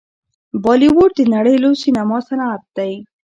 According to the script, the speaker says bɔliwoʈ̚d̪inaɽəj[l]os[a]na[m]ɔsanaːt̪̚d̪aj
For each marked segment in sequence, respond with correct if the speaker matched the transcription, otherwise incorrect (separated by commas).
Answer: correct, incorrect, correct